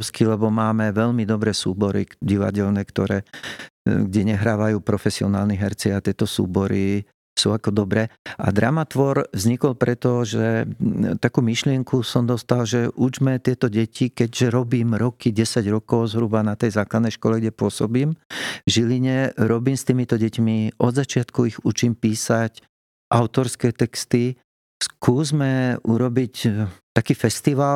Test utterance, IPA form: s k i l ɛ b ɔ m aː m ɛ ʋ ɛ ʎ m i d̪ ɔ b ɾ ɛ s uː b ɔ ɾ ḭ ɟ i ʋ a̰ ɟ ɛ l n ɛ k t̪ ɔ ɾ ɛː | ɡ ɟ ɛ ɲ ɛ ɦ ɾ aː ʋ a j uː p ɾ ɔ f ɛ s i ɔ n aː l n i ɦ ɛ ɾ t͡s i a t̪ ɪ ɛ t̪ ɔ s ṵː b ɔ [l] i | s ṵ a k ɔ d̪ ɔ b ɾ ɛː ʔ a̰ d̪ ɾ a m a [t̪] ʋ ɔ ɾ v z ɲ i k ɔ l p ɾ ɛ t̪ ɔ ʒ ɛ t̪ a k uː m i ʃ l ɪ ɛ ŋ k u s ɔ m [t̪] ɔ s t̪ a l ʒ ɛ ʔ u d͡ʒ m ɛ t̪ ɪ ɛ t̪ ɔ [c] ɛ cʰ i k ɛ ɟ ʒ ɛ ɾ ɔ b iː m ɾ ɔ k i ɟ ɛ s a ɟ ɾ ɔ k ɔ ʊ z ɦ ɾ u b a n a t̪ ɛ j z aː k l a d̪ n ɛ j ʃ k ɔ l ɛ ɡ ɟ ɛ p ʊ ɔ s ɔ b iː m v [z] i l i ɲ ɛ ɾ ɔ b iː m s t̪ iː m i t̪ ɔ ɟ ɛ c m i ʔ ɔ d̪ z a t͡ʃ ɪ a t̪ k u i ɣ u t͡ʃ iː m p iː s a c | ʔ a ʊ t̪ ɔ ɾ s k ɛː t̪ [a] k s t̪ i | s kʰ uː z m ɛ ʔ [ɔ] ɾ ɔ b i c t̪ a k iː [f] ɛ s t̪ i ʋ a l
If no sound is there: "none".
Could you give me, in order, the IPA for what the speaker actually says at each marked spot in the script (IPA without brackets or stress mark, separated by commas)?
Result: ɾ, t̪, d̪, ɟ, ʒ, ɛ, u, f